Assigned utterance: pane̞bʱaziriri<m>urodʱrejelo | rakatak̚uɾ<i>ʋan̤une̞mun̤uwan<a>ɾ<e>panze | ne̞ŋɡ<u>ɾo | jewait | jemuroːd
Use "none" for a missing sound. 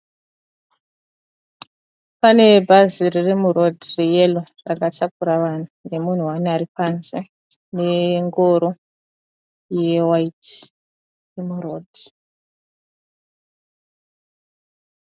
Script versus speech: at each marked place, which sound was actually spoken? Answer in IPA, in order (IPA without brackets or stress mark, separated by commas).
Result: m, a, a, i, o